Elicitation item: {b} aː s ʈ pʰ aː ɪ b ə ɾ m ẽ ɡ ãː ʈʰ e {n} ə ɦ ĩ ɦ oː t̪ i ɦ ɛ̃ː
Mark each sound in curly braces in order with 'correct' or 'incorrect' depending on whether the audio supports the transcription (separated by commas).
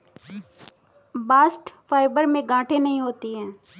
correct, correct